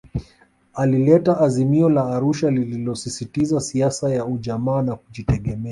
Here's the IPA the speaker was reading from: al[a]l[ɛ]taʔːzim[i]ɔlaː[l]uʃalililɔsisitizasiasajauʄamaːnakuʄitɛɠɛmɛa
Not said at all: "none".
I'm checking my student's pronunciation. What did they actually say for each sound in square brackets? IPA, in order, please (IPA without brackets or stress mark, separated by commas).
i, ɛ, i, ɾ